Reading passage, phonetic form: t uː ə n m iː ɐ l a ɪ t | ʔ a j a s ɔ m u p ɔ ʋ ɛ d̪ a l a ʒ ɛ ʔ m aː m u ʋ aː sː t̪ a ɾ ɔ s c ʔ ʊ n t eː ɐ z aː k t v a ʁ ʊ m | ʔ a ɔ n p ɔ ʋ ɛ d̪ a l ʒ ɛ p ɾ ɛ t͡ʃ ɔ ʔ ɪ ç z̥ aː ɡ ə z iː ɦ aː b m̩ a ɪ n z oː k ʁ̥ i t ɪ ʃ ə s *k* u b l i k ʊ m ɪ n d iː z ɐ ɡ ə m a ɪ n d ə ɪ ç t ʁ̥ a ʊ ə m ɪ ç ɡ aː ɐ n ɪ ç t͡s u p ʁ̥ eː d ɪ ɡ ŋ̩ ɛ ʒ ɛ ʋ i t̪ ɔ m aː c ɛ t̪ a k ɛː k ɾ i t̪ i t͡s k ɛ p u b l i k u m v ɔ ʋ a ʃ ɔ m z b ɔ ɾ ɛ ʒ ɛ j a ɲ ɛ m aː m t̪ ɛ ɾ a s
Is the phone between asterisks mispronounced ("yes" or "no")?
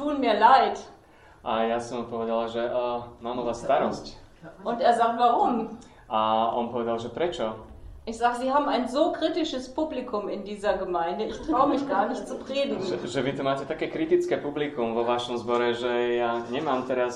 yes